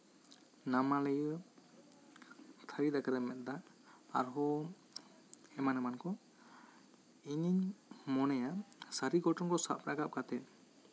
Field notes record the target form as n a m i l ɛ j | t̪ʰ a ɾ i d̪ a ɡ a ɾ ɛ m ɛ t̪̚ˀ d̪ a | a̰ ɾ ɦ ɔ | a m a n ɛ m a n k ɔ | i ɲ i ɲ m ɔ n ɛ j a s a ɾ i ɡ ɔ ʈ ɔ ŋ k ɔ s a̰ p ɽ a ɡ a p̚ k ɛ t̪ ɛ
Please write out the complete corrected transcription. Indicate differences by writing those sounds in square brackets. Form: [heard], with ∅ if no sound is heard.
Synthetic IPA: n a m [a] l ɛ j | t̪ʰ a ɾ i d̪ a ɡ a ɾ ɛ m ɛ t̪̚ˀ d̪ a | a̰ ɾ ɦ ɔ | [ɛ] m a n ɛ m a n k ɔ | i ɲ i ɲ m ɔ n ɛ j a s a ɾ i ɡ ɔ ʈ ɔ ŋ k ɔ s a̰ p [ɾ] a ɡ a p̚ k [a] t̪ ɛ